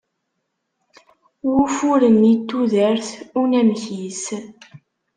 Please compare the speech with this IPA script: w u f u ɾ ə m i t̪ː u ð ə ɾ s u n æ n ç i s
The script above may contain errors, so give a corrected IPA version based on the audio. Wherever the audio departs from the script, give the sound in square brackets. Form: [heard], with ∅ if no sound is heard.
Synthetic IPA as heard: w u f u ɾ ə [n] i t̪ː u ð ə ɾ [θ] u n æ [m] ç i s